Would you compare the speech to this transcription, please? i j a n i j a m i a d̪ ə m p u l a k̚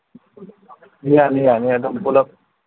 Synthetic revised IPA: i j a n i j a n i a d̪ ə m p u l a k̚